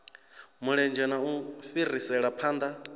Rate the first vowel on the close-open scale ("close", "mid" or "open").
close